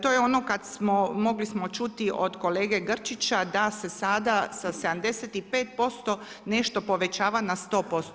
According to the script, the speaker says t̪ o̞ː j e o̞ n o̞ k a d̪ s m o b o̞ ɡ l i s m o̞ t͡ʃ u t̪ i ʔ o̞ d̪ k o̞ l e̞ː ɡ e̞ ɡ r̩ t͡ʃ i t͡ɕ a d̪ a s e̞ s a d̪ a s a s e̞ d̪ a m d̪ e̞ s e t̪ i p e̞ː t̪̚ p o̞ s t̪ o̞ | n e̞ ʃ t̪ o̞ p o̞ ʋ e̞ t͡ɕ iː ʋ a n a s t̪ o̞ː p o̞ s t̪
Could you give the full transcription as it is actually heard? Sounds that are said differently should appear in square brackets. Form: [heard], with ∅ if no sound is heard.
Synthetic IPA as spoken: t̪ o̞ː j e o̞ n o̞ k a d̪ s m o [m] o̞ ɡ l i s m o̞ t͡ʃ u t̪ i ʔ o̞ d̪ k o̞ l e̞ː ɡ e̞ ɡ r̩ t͡ʃ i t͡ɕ a d̪ a s e̞ s a d̪ a s a s e̞ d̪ a m d̪ e̞ s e t̪ i p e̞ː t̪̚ p o̞ s t̪ o̞ | n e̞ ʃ t̪ o̞ p o̞ ʋ e̞ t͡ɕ [aː] ʋ a n a s t̪ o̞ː p o̞ s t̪

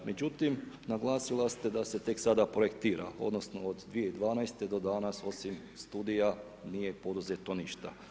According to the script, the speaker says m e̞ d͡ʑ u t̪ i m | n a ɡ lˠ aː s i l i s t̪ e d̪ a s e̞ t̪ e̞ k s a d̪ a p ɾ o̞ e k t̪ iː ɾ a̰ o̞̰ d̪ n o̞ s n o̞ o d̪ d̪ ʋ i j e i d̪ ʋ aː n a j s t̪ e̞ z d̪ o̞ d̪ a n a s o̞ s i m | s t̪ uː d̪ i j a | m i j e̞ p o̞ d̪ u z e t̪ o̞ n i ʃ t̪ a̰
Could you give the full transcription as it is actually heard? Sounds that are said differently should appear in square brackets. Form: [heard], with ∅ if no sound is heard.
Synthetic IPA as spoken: m e̞ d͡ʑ u t̪ i m | n a ɡ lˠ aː s i l [a] s t̪ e d̪ a s e̞ t̪ e̞ k s a d̪ a p ɾ o̞ e k t̪ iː ɾ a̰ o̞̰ d̪ n o̞ s n o̞ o d̪ d̪ ʋ i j e i d̪ ʋ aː n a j s t̪ e̞ [∅] d̪ o̞ d̪ a n a s o̞ s i m | s t̪ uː d̪ i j a | [n] i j e̞ p o̞ d̪ u z e t̪ o̞ n i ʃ t̪ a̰

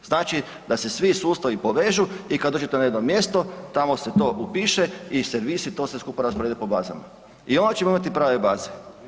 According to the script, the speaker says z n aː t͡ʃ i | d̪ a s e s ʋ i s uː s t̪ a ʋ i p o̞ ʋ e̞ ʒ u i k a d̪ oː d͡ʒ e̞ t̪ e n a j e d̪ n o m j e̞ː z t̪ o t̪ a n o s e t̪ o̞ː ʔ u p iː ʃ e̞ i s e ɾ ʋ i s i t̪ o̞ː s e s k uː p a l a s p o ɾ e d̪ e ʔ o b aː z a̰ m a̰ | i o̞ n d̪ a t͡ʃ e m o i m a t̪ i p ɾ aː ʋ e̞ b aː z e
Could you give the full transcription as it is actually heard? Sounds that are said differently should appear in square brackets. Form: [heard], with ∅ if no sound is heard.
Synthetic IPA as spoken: z n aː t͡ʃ i | d̪ a s e s ʋ i s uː s t̪ a ʋ i p o̞ ʋ e̞ ʒ u i k a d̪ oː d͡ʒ e̞ t̪ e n a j e d̪ n o m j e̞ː [s] t̪ o t̪ a [m] o s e t̪ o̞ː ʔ u p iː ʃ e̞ i s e ɾ ʋ i s i t̪ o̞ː s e s k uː p a [ɾ] a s p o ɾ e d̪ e [p] o b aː z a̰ m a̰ | i o̞ n d̪ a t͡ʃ e m o i m a t̪ i p ɾ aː ʋ e̞ b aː z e

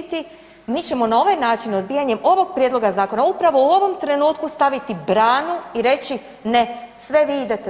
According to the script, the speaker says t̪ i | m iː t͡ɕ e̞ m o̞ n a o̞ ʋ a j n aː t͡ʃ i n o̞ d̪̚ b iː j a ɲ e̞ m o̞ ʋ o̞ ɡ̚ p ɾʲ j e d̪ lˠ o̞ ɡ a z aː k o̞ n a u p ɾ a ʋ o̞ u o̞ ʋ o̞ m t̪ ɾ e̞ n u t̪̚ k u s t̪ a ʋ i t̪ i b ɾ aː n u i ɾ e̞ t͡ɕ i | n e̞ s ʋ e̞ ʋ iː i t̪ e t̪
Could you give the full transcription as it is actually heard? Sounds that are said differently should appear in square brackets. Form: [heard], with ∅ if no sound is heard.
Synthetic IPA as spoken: t̪ i | m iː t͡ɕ e̞ m o̞ n a o̞ ʋ a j n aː t͡ʃ i n o̞ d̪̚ b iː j a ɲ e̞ m o̞ ʋ o̞ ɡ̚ p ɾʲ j e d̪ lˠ o̞ ɡ a z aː k o̞ n a u p ɾ a ʋ o̞ u o̞ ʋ o̞ m t̪ ɾ e̞ n [uː] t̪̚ k u s t̪ a ʋ i t̪ i b ɾ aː n u i ɾ e̞ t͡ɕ i | n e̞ s ʋ e̞ ʋ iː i [d̪] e t̪

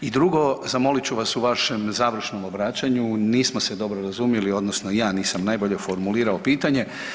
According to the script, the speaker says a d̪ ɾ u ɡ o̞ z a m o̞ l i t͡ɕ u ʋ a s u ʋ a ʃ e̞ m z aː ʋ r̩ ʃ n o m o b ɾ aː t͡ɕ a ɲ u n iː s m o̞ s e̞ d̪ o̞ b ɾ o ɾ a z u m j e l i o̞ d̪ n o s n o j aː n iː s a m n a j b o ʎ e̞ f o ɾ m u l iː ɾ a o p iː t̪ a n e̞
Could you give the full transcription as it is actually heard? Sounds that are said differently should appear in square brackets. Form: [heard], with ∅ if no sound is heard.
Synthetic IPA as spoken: [i] d̪ ɾ u ɡ o̞ z a m o̞ l i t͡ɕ u ʋ a s u ʋ a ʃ e̞ m z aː ʋ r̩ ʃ n o m o b ɾ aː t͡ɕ a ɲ u n iː s m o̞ s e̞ d̪ o̞ b ɾ o ɾ a z u m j e l i o̞ d̪ n o s n o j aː n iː s a m n a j b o ʎ e̞ f o ɾ m u l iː ɾ a o p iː t̪ a [ɲ] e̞

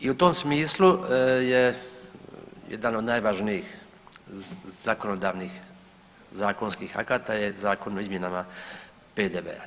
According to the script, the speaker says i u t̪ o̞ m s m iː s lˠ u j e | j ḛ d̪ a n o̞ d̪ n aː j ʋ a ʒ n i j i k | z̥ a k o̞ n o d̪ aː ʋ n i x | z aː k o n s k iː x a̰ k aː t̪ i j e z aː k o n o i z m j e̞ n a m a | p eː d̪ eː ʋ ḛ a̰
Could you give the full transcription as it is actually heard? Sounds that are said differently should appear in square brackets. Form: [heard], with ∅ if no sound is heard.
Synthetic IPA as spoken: i u t̪ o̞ m s m iː s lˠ u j e | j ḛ d̪ a n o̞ d̪ n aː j ʋ a ʒ n i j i [x] | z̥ a k o̞ n o d̪ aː ʋ n i x | z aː k o n s k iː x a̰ k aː t̪ [a] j e z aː k o n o i z m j e̞ n a m a | p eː d̪ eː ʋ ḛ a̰

